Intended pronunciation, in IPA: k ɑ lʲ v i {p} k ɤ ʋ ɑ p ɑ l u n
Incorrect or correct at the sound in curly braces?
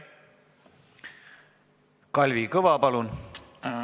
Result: incorrect: none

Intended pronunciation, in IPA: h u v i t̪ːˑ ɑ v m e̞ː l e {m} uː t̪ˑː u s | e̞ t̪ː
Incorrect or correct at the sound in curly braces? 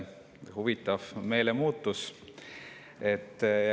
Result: correct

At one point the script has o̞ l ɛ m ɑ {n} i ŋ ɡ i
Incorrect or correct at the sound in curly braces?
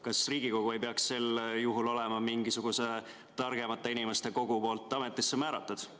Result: incorrect: m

